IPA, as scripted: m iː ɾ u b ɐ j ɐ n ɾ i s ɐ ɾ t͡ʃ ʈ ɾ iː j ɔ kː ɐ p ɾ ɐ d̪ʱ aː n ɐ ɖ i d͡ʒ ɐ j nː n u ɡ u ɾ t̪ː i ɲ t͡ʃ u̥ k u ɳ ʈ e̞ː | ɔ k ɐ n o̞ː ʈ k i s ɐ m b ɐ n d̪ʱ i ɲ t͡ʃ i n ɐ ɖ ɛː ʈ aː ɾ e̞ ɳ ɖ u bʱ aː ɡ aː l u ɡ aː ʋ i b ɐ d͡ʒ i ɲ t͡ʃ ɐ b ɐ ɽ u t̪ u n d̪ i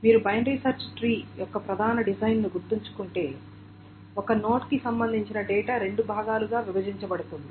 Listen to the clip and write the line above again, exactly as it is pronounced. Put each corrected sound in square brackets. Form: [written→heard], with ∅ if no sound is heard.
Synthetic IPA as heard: m iː ɾ u b ɐ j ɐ n ɾ i s ɐ ɾ t͡ʃ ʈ ɾ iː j ɔ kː ɐ p ɾ ɐ d̪ʱ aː n ɐ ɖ i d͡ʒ ɐ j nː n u ɡ u ɾ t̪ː i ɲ t͡ʃ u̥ k u ɳ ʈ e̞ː | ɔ k ɐ n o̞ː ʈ k i s ɐ m b ɐ n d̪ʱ i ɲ t͡ʃ i n ɐ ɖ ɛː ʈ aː ɾ e̞ ɳ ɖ u bʱ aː ɡ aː l u ɡ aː ʋ i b ɐ d͡ʒ i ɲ t͡ʃ ɐ b ɐ ɽ u t̪ u n d̪ i

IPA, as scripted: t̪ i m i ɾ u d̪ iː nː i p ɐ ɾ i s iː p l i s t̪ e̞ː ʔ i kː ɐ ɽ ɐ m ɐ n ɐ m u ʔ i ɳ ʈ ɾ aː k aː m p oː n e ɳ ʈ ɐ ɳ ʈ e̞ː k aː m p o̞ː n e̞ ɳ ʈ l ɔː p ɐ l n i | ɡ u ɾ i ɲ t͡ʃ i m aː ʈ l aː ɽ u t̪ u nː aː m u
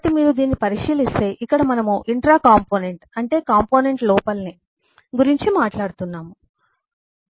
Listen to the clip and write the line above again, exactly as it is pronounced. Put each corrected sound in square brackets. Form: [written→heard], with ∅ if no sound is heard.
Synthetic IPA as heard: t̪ i m [i→iː] ɾ u d̪ iː nː i p ɐ ɾ i [s→ʂ] iː [p→∅] l i s t̪ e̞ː ʔ i kː ɐ ɽ ɐ m ɐ n ɐ m u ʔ i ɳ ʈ ɾ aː k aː m p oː n e ɳ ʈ ɐ ɳ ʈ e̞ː k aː m p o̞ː n e̞ ɳ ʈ l ɔː p ɐ l n i | ɡ u ɾ i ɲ t͡ʃ i m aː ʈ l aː ɽ u t̪ u nː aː m u

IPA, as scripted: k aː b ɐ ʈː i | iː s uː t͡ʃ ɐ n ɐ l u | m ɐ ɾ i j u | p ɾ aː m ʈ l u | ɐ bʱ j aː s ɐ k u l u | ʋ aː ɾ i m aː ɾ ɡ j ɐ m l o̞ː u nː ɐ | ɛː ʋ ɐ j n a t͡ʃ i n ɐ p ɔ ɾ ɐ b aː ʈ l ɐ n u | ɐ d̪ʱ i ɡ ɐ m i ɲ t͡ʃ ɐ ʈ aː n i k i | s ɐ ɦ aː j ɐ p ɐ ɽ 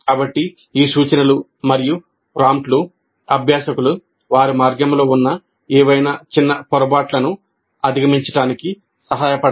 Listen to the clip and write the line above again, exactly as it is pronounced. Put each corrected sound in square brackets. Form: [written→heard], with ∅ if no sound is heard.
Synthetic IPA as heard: k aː b ɐ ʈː i | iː s uː t͡ʃ ɐ n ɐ l u | m ɐ ɾ i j u | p ɾ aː m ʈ l u | ɐ bʱ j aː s ɐ k u l u | ʋ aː ɾ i m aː ɾ ɡ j ɐ m l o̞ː u nː ɐ | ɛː ʋ ɐ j n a t͡ʃ i [n→nː] ɐ p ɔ ɾ ɐ b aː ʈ l ɐ n u | ɐ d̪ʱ i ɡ ɐ m i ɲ t͡ʃ ɐ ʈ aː n i k i | s ɐ ɦ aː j ɐ p ɐ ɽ

